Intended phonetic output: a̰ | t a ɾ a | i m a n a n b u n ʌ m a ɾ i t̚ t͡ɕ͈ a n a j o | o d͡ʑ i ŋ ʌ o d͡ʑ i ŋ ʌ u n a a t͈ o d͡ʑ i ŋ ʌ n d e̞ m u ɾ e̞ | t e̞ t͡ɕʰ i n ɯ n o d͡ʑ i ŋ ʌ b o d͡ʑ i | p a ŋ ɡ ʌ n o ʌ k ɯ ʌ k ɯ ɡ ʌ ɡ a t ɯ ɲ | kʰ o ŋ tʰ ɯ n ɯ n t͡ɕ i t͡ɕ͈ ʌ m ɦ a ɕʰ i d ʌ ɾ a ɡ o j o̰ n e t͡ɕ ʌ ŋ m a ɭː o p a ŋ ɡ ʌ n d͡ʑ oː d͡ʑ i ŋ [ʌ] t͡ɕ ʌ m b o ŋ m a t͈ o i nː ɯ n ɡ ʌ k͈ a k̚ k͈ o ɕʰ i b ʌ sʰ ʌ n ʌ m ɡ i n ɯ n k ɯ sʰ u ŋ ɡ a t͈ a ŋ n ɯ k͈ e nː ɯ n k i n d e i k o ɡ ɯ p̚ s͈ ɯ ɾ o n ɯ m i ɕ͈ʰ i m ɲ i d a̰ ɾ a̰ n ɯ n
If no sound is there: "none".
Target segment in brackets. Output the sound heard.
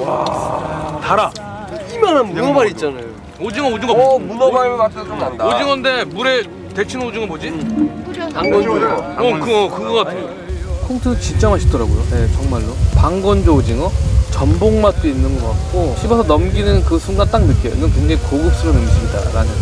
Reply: ʌ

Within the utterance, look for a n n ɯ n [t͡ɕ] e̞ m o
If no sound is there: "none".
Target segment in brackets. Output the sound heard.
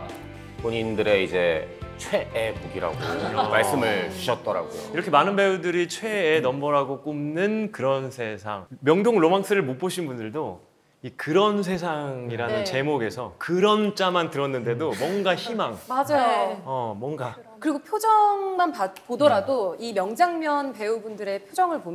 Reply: t͡ɕ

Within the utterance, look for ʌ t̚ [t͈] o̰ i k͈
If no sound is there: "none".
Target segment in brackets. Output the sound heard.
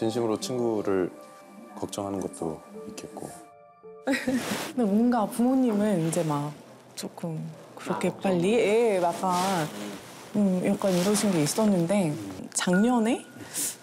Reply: t͈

